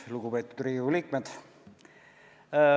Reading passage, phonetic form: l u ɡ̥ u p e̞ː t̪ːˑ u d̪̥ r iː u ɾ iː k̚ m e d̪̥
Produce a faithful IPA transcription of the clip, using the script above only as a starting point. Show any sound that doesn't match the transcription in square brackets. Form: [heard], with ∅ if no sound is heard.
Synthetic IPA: l u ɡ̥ u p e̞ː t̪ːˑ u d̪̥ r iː u [l] iː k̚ m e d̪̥